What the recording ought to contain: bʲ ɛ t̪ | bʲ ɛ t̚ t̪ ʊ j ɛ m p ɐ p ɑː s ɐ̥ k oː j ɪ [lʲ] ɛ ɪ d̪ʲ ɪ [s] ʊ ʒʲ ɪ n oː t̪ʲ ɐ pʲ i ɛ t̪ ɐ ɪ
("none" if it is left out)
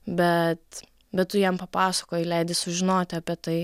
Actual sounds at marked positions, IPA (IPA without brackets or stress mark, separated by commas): lʲ, s